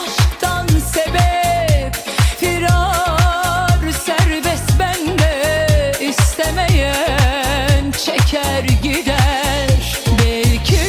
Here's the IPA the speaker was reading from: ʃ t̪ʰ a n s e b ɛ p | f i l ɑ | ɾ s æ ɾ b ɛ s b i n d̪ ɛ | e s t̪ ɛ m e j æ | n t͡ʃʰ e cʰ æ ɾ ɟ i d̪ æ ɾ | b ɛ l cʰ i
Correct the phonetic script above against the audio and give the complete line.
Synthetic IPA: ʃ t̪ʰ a n s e b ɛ p | f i ɾ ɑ | ɾ s æ ɾ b ɛ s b æ n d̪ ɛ | i s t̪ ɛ m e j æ | n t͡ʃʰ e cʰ æ ɾ ɟ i d̪ æ ɾ | b ɛ l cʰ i